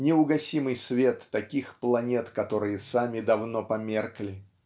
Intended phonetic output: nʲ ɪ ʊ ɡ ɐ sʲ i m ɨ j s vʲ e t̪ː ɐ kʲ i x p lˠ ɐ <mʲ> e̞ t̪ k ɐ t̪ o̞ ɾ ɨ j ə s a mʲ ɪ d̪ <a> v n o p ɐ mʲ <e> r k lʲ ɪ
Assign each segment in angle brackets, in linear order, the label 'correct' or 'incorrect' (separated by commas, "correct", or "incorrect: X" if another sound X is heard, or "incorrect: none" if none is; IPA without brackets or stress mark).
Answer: incorrect: nʲ, incorrect: ɐ, correct